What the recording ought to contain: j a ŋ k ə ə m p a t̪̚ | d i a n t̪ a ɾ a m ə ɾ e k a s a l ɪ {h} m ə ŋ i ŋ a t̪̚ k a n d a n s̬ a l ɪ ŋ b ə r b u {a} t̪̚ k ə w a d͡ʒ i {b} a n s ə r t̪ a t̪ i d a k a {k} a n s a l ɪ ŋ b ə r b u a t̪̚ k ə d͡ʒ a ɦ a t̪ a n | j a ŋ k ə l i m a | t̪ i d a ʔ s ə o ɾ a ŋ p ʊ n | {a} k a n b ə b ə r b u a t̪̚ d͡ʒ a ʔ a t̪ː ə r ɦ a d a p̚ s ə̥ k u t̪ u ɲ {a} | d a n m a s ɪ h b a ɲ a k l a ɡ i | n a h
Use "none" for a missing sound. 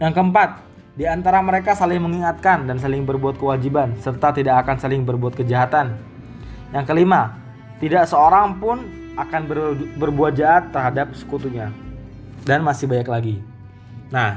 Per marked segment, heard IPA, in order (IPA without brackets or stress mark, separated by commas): h, a, b, k, a, a